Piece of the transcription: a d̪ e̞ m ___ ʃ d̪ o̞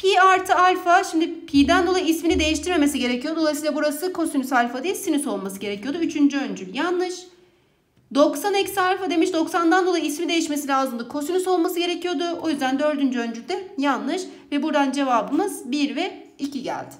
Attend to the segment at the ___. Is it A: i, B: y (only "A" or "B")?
A